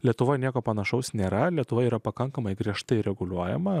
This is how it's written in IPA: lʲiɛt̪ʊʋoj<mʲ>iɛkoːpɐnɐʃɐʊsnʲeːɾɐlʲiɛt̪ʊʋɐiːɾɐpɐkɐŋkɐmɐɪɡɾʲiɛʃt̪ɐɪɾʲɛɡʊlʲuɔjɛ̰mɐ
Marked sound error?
yes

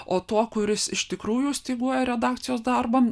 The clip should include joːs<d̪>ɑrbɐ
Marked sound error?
no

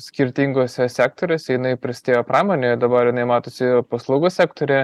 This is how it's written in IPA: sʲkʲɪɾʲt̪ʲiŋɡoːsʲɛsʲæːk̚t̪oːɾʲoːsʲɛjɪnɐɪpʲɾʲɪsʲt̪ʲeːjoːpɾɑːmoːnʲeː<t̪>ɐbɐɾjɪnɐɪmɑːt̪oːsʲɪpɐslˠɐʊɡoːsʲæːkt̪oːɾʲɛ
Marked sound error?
yes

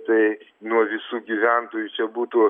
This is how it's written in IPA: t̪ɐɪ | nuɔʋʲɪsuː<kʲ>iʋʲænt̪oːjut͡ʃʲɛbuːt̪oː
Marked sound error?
yes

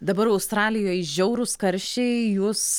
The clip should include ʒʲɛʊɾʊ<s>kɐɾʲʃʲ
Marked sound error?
no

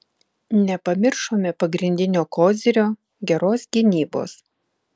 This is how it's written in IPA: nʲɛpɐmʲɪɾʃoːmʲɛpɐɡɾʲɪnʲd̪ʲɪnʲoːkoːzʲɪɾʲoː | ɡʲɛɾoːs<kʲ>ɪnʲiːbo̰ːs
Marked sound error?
yes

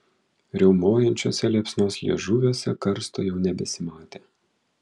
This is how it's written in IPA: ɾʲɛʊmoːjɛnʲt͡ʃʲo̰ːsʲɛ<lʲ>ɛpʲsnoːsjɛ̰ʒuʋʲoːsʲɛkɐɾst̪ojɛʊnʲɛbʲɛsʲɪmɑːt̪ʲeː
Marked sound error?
no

